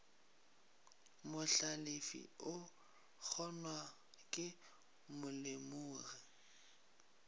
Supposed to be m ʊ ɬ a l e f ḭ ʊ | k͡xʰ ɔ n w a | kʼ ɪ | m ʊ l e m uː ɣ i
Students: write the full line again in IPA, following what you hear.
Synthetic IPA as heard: m ʊ ɬ a l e f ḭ ʊ | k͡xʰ ɔ n w a | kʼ ɪ | m ʊ l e m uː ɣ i

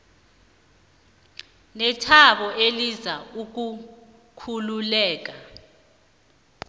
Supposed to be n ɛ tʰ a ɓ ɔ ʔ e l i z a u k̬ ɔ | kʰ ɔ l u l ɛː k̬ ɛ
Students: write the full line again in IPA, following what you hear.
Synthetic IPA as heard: n ɛ tʰ a ɓ ɔ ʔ e l i z a u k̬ u | kʰ u l u l ɛː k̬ a

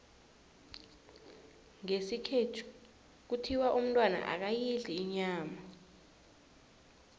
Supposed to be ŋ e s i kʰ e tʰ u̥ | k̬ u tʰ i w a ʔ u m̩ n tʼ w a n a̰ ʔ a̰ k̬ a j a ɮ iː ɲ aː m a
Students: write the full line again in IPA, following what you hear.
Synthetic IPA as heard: ŋ e s i kʰ e tʰ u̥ | k̬ u tʰ i w a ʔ u m̩ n tʼ w a n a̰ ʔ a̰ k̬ a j i ɮ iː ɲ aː m a

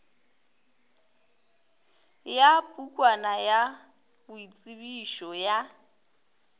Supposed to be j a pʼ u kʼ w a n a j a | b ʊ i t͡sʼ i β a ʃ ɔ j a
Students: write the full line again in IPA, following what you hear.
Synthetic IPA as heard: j a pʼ u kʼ w a n a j a | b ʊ i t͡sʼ i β i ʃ ɔ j a

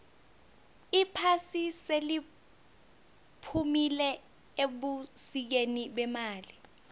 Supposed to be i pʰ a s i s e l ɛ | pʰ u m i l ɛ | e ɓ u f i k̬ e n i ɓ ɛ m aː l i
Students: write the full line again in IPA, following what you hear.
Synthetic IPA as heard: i pʰ a s i s e l i | pʰ u m i l ɛ | e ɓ u s i k̬ e n i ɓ ɛ m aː l i

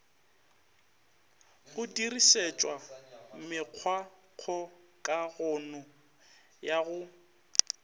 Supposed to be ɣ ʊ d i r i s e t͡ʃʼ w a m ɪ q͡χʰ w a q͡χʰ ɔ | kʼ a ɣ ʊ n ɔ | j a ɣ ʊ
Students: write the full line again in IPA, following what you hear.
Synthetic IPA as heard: ɣ ʊ d i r i s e t͡ʃʼ w a m ɪ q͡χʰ w a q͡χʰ ɔ | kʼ a ɣ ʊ n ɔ | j a ɣ ʊ

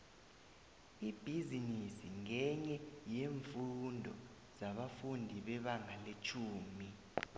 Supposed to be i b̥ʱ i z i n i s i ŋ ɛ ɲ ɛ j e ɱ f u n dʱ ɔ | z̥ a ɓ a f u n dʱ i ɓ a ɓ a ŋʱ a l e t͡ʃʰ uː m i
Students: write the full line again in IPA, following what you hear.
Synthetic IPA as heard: i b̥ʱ i z i n i s i ŋ ɛ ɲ ɛ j e ɱ f u n dʱ ɔ | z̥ a ɓ a f u n dʱ i ɓ ɛ ɓ a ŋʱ a l e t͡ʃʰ uː m i

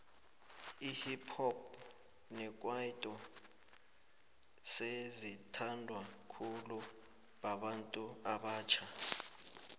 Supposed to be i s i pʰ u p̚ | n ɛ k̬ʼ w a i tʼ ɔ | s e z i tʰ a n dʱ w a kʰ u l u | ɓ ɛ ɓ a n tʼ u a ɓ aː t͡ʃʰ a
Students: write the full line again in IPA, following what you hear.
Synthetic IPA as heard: i h i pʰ ɔ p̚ | n ɛ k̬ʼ w a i tʼ ɔ | s e z i tʰ a n dʱ w a kʰ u l u | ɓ a ɓ a n tʼ u a ɓ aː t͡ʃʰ a

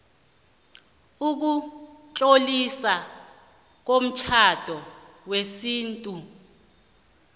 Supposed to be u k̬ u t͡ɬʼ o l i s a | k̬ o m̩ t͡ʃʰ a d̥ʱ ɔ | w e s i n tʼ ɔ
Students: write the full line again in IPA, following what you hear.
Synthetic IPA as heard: u k̬ u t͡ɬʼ o l i s a | k̬ o m̩ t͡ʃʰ a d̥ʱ ɔ | w e s iː n tʼ u

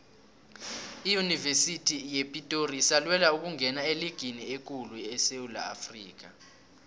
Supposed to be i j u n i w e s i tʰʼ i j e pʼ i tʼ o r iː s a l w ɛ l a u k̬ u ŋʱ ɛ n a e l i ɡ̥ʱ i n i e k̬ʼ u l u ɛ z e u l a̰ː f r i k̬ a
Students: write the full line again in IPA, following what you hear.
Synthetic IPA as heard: i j u n i v e s i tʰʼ i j e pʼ i tʼ o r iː s a l w ɛ l a u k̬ u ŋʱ ɛ n a e l i ɡ̥ʱ i n i e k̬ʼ u l u ɛ s e u l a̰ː f r iː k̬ a

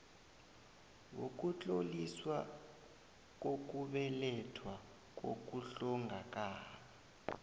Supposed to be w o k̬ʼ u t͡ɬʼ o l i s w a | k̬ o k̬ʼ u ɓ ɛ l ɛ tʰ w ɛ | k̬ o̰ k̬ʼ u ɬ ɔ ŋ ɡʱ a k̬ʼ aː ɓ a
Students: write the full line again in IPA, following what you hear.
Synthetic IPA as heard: w o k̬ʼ u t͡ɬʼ o l i s w a | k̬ o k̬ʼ u ɓ ɛ l ɛ tʰ w a | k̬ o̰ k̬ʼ u ɬ ɔ ŋ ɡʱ a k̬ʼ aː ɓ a

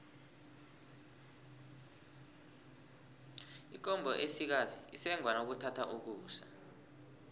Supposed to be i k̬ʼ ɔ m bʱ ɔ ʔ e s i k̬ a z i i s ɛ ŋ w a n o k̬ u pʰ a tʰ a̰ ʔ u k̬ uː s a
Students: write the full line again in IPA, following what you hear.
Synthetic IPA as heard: i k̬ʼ ɔ m bʱ ɔ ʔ e s i k̬ a z i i s ɛ ŋ w a n o k̬ u tʰ a tʰ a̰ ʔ u k̬ uː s a

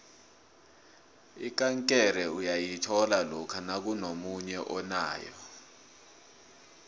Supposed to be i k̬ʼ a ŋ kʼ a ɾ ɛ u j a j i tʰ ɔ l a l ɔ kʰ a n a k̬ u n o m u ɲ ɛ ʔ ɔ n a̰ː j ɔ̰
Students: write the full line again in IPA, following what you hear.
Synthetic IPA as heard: i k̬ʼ a ŋ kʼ ɛ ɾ ɛ u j a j i tʰ ɔ l a l ɔ kʰ a n a k̬ u n o m u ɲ ɛ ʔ ɔ n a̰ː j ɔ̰

